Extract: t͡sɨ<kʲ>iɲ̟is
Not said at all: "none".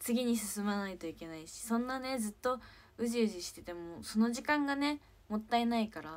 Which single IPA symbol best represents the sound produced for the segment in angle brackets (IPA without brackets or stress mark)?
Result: ɡʲ